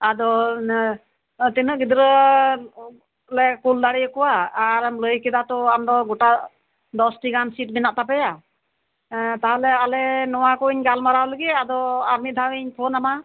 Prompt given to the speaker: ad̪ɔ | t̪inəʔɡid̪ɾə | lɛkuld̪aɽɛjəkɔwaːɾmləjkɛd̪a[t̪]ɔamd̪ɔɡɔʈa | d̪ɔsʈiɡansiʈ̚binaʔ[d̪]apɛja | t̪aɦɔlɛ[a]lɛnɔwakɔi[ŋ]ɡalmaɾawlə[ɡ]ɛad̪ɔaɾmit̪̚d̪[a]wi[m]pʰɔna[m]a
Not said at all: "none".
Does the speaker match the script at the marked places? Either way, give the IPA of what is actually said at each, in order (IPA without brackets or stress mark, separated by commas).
t̪, t̪, a, ɲ, ɡ, a, ɲ, m